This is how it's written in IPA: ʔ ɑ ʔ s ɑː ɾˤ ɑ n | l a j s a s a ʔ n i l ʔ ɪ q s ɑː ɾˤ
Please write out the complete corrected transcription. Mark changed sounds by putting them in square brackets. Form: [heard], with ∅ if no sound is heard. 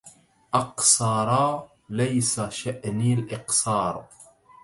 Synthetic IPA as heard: ʔ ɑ [q] s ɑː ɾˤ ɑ [∅] | l a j s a [ʃ] a ʔ n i l ʔ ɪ q s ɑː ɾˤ